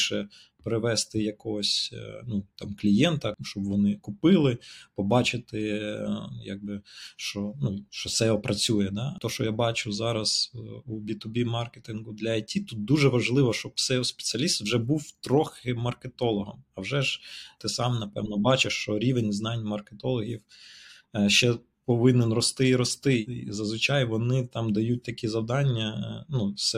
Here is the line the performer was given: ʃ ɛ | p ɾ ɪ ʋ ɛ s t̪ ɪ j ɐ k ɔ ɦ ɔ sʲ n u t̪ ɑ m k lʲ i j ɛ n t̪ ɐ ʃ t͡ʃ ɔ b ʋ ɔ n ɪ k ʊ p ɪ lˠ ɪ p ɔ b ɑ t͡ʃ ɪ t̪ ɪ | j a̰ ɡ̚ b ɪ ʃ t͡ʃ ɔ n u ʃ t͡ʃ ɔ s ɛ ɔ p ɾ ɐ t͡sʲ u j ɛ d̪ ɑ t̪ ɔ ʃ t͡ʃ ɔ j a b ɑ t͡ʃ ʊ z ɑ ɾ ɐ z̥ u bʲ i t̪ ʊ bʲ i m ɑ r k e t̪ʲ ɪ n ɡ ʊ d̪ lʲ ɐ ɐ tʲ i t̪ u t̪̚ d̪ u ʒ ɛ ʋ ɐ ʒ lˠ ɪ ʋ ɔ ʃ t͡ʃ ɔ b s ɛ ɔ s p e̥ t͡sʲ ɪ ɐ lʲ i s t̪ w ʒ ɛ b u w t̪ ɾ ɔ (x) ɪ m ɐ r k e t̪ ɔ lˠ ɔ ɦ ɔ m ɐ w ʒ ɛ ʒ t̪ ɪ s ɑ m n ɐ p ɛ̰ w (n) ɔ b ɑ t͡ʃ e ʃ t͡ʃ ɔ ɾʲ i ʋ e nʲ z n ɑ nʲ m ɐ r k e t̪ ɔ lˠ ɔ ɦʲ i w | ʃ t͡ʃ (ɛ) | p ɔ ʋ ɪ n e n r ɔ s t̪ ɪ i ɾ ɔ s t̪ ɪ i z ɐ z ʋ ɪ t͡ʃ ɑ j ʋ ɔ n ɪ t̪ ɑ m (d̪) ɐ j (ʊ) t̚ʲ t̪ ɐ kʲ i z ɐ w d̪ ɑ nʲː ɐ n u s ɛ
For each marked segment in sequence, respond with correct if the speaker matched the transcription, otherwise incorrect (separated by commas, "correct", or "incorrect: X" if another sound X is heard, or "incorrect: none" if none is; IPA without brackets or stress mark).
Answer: correct, correct, correct, correct, incorrect: u